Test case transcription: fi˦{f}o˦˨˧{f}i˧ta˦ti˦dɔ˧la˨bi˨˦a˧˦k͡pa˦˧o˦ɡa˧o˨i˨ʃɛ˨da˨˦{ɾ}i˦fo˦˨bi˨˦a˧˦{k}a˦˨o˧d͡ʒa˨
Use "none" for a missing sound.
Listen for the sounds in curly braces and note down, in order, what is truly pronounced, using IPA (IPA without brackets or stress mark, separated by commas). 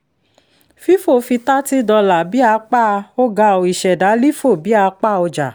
f, f, l, k͡p